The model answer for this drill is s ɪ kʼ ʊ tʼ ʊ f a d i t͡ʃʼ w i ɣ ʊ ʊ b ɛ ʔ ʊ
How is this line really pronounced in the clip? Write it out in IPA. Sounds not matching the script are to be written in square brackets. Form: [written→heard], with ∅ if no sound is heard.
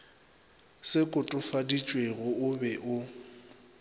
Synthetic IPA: s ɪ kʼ ʊ tʼ ʊ f a d i t͡ʃʼ w [i→e] ɣ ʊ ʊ b ɛ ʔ ʊ